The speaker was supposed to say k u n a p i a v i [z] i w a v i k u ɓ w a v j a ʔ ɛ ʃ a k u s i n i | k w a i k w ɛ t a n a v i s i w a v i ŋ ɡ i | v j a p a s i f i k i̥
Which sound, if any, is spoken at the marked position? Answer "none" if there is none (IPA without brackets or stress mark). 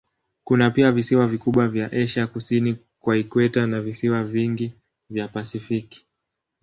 s